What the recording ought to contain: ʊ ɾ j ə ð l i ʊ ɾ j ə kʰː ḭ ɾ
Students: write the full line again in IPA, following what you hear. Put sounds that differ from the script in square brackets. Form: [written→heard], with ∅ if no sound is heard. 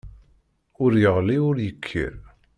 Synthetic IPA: ʊ ɾ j ə [ð→ʁ] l i ʊ ɾ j ə kʰː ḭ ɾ